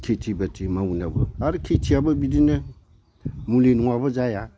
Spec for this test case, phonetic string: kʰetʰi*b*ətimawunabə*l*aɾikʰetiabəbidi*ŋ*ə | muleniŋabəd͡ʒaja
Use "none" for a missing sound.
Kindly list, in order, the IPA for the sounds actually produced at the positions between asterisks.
b, none, n

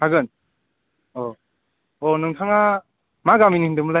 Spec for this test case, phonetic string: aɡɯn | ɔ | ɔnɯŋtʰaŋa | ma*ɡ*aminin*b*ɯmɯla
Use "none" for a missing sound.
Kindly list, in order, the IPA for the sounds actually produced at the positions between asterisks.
ɡ, d

